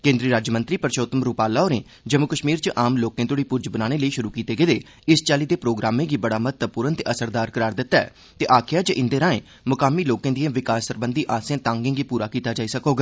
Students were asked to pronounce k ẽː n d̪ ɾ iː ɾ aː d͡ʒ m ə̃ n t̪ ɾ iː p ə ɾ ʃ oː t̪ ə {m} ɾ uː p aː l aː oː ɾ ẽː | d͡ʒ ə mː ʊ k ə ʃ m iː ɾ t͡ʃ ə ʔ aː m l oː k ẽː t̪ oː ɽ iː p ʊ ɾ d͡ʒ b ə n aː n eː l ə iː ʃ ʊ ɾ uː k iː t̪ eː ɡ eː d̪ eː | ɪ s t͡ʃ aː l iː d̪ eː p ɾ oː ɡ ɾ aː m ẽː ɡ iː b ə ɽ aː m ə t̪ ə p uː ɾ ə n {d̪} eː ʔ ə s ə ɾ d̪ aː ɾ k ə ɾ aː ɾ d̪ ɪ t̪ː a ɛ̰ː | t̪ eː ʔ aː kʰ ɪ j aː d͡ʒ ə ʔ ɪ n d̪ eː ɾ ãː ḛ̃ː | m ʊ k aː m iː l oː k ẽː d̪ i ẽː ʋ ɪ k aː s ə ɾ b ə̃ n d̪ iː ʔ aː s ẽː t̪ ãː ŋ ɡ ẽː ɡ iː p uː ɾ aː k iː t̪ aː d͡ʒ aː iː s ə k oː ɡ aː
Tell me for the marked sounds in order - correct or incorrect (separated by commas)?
correct, incorrect